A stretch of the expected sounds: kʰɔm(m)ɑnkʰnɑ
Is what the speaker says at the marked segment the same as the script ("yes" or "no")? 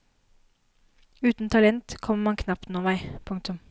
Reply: yes